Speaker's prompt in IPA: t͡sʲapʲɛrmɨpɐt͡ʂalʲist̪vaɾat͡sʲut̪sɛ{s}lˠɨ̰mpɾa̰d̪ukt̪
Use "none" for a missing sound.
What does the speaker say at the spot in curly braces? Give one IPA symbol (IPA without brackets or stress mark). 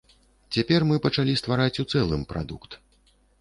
none